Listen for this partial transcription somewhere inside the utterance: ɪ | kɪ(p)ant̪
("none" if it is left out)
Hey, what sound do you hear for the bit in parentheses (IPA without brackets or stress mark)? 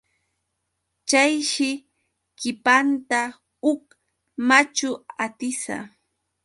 p